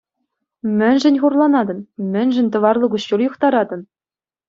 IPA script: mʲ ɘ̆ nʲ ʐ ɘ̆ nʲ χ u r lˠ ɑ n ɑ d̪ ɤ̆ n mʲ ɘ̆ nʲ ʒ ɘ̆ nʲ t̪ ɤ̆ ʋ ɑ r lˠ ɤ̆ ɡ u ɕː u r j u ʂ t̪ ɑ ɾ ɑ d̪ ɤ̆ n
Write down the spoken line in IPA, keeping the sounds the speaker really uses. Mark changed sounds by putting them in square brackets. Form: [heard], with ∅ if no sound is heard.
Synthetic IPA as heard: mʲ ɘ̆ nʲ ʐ ɘ̆ nʲ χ u r lˠ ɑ n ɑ d̪ ɤ̆ n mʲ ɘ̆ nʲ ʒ ɘ̆ nʲ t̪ ɤ̆ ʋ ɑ r lˠ ɤ̆ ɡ u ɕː u r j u [χ] t̪ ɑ ɾ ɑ d̪ ɤ̆ n